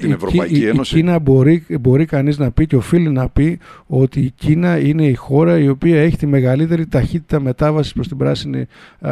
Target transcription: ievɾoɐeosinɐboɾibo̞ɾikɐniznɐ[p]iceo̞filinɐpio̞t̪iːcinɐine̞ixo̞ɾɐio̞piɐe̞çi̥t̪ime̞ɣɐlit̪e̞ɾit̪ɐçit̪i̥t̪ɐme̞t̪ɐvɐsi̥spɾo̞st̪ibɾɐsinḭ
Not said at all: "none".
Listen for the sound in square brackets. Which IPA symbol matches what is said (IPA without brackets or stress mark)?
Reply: p